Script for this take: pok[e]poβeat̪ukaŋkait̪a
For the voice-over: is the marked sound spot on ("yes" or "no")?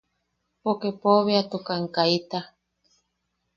yes